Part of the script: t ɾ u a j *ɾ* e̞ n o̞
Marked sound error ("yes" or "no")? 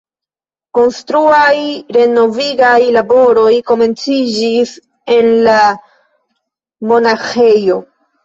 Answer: no